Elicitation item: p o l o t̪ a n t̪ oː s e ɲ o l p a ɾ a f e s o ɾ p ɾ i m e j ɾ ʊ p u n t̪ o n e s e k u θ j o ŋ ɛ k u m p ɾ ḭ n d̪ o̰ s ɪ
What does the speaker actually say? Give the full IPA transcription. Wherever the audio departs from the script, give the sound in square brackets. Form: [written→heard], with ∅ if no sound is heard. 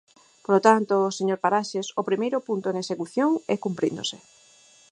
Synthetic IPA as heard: p o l o t̪ a n t̪ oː s e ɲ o [l→ɾ] p a ɾ a [f→ʃ] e s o [ɾ→∅] p ɾ i m e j ɾ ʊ p u n t̪ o n e s e k u θ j o ŋ ɛ k u m p ɾ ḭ n d̪ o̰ s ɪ